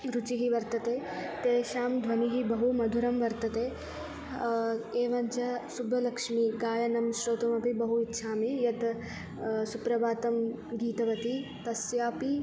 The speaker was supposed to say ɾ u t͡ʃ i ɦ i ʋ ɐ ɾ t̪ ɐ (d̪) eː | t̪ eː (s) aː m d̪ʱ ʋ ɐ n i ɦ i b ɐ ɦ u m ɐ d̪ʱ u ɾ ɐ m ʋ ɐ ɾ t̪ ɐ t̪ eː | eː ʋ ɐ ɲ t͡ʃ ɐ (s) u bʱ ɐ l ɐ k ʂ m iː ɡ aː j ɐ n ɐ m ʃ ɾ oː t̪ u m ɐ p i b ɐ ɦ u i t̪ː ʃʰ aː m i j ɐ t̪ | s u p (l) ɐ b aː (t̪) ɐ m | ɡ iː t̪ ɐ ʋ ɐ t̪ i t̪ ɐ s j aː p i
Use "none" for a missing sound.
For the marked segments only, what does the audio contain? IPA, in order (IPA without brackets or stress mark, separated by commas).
t̪, ʃ, s, ɾ, t̪